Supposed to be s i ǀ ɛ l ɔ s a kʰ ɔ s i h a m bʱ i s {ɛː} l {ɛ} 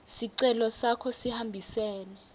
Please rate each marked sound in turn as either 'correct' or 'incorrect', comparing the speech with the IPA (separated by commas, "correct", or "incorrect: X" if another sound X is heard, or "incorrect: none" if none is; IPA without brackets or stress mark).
correct, correct